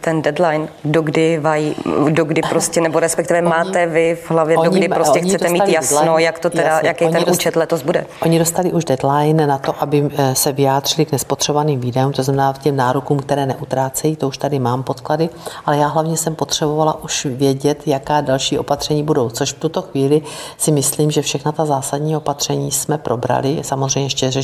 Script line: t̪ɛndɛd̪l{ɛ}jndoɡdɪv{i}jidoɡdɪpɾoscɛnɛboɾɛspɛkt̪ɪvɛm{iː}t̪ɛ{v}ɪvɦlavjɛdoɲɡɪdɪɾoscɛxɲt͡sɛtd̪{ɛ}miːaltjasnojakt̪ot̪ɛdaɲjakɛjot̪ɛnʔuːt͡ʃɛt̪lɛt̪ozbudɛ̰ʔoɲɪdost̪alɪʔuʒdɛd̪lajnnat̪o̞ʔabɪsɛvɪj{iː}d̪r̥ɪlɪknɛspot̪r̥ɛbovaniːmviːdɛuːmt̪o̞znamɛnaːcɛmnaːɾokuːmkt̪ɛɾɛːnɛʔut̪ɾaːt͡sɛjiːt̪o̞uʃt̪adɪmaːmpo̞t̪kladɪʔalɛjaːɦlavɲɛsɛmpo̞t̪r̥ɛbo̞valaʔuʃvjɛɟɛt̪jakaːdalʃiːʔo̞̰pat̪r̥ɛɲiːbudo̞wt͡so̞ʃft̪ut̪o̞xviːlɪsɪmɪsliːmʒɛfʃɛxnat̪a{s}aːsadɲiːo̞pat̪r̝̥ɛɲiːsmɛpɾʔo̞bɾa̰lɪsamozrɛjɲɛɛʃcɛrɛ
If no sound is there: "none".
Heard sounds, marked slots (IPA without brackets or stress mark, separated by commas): a, a, aː, v, ɛ, aː, z